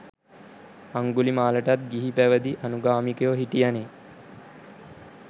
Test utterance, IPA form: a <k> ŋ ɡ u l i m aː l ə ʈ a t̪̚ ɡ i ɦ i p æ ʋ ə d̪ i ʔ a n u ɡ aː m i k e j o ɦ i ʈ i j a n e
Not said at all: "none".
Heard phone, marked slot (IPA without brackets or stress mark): none